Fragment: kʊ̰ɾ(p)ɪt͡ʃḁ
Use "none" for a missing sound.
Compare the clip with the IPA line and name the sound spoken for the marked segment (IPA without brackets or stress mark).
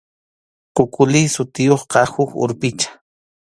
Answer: p